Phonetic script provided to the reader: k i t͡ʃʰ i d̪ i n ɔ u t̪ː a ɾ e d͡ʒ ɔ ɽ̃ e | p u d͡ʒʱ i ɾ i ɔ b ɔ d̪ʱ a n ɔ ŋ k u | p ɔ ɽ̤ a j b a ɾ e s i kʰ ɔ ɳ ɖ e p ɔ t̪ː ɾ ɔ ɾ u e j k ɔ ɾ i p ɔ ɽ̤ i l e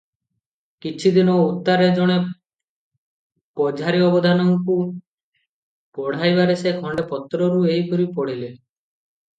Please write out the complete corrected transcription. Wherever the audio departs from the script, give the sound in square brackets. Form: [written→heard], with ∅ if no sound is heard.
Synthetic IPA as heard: k i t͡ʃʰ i d̪ i n ɔ u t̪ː a ɾ e d͡ʒ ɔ ɽ̃ e | p [u→ɔ] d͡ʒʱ [i→a] ɾ i ɔ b ɔ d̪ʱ a n ɔ ŋ k u | p ɔ ɽ̤ a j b a ɾ e s [i→e] kʰ ɔ ɳ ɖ e p ɔ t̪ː ɾ ɔ ɾ u e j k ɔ ɾ i p ɔ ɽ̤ i l e